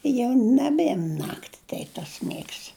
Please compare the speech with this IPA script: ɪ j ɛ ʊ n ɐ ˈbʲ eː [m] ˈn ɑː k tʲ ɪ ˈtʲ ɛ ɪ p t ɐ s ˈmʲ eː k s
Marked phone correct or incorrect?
correct